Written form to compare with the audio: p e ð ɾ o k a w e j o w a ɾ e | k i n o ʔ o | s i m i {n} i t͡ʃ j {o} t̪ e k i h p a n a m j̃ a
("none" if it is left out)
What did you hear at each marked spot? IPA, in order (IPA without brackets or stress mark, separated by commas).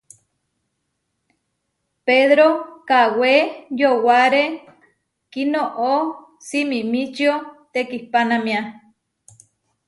m, o